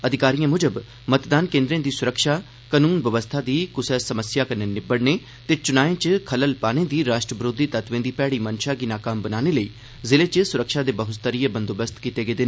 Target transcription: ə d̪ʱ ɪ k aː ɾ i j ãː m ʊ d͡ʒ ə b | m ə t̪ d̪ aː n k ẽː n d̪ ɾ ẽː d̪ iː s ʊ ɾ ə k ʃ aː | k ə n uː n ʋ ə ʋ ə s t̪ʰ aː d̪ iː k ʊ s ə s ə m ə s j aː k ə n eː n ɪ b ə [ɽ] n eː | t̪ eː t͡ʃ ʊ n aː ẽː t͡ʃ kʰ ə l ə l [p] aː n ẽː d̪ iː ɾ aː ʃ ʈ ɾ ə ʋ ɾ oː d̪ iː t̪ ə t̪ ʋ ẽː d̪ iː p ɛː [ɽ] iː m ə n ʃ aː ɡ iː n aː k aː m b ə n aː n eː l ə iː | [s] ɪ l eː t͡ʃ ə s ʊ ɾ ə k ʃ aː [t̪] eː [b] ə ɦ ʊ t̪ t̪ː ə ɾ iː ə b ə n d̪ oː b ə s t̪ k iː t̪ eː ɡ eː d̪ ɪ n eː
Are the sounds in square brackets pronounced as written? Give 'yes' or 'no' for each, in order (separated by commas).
yes, yes, yes, no, no, yes